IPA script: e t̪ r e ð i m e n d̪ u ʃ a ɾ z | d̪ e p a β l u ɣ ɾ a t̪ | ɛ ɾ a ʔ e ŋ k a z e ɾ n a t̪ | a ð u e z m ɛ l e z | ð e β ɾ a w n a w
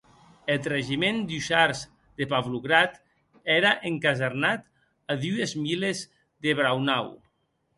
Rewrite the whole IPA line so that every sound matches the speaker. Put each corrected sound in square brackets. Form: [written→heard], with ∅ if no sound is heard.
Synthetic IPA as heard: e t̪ r e [ð→ʒ] i m e n d̪ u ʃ a ɾ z | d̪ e p a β l u ɣ ɾ a t̪ | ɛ ɾ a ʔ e ŋ k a z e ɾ n a t̪ | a ð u e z m [ɛ→i] l e z | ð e β ɾ a w n a w